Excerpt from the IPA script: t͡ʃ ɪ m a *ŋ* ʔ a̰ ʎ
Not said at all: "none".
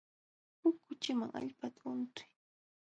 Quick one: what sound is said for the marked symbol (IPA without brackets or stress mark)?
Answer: ŋ